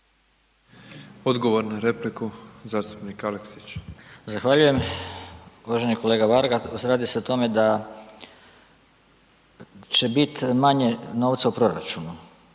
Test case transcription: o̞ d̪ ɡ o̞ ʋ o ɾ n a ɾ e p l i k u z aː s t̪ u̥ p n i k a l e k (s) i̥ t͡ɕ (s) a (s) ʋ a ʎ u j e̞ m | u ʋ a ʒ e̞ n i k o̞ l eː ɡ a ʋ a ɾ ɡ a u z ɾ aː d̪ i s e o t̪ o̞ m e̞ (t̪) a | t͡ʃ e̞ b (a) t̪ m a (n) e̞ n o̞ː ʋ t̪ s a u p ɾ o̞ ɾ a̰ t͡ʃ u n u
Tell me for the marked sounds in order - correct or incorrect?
correct, incorrect, incorrect, incorrect, incorrect, incorrect

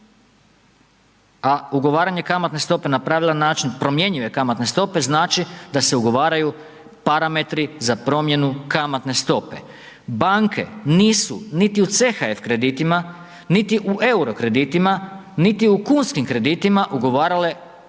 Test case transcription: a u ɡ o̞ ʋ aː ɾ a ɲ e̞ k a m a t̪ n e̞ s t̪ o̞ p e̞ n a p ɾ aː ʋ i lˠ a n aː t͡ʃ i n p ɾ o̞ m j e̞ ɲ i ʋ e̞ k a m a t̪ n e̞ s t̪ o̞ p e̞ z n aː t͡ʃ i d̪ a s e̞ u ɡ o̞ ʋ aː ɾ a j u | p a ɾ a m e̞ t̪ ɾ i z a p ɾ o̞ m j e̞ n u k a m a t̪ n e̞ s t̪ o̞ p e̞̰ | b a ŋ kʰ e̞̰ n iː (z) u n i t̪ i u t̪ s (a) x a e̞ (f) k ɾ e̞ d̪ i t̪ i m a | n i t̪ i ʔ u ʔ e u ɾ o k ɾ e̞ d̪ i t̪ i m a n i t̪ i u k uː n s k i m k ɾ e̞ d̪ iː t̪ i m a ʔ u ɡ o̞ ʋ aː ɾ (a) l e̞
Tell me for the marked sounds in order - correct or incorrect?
incorrect, incorrect, correct, correct

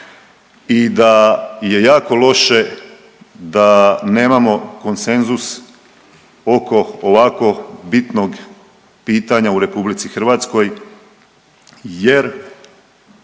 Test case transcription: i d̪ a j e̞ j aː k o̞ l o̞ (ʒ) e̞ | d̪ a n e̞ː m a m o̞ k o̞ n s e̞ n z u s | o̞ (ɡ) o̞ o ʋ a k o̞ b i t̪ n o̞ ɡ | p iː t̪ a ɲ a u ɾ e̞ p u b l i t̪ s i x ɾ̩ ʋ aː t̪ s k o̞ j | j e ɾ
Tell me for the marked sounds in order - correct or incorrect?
incorrect, incorrect

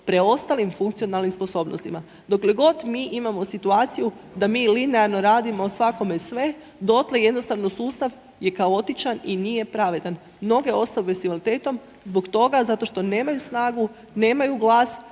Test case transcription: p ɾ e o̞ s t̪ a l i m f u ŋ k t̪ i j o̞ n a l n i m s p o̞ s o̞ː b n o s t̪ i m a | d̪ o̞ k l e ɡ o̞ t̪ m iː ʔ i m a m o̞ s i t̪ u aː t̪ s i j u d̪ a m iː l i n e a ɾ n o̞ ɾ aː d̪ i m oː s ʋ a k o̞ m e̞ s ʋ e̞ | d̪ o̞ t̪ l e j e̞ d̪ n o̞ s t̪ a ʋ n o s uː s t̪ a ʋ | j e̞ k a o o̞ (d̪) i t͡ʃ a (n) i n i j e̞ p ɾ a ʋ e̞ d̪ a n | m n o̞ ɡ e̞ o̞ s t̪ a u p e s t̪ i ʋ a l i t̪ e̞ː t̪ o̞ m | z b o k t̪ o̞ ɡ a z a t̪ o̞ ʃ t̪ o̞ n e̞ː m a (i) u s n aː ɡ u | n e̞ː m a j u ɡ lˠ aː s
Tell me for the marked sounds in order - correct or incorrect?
incorrect, correct, incorrect

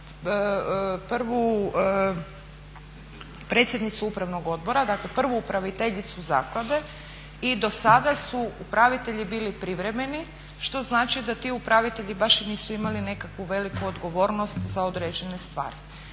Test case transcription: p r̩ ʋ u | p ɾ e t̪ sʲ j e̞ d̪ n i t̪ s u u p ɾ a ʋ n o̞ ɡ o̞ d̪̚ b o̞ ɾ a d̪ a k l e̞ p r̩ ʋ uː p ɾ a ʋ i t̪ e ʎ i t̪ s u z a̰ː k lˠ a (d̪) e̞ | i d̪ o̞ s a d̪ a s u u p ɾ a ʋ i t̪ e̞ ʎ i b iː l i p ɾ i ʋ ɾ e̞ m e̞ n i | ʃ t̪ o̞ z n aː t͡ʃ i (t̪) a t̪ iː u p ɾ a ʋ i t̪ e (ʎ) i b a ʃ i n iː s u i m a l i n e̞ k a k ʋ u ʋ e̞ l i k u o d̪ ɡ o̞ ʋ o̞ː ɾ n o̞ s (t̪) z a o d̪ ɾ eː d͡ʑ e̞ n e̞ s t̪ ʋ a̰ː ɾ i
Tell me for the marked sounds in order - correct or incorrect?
correct, incorrect, correct, correct

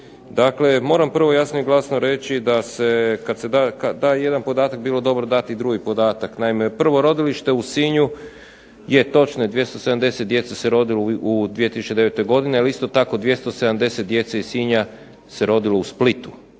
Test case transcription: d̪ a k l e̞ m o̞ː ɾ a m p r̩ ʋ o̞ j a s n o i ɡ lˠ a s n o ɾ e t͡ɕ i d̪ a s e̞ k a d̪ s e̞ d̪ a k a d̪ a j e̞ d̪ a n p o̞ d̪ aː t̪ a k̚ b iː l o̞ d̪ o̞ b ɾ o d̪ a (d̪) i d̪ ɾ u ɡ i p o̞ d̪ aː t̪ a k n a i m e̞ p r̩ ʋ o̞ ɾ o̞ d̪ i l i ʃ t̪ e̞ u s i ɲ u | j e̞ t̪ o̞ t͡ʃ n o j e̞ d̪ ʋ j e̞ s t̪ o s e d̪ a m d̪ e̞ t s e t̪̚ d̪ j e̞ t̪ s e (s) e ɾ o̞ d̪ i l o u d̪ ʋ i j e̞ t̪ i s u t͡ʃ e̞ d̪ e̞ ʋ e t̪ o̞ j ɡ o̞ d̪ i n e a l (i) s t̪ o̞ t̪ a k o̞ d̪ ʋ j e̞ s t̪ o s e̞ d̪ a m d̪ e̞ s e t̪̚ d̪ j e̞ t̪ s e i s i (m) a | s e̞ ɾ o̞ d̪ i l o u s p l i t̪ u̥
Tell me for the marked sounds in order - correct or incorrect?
incorrect, correct, correct, incorrect

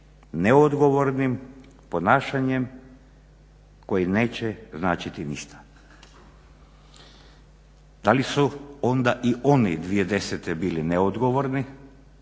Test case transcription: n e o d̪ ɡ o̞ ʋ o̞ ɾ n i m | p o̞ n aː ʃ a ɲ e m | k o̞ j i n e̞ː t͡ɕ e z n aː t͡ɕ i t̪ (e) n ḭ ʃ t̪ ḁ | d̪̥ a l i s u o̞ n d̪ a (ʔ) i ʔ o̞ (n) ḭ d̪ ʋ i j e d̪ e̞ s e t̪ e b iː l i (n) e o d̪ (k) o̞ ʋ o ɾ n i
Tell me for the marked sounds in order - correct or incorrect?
incorrect, correct, correct, correct, incorrect

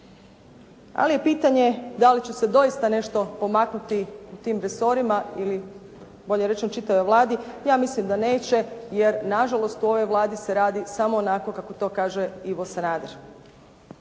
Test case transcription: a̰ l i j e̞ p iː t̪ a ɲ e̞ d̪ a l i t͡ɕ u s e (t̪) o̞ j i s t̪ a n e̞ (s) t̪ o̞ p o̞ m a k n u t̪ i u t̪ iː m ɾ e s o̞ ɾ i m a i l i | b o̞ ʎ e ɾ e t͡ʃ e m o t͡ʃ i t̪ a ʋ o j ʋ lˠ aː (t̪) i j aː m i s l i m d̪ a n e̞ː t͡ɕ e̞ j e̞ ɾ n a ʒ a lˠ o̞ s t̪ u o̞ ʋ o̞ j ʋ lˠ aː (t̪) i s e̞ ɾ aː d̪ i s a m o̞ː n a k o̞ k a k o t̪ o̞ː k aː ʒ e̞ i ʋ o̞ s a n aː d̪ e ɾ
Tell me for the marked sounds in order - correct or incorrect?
incorrect, incorrect, incorrect, incorrect

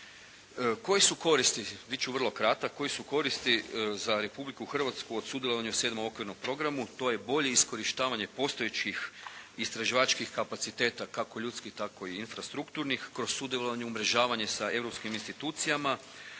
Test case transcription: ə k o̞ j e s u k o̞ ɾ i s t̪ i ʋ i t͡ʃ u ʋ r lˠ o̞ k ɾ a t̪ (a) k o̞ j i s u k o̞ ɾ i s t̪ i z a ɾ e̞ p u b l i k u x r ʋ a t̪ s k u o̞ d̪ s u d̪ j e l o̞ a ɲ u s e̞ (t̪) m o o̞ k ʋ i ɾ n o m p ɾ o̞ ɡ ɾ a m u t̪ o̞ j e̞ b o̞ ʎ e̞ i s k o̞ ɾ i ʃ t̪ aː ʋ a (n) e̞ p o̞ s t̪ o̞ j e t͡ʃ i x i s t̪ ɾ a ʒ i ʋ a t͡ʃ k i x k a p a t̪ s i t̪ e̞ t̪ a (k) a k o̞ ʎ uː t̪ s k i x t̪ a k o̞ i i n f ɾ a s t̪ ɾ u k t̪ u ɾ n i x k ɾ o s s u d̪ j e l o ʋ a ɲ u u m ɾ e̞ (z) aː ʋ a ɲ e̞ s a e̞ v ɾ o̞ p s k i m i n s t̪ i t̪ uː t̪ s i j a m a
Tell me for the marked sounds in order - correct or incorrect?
correct, incorrect, incorrect, correct, incorrect

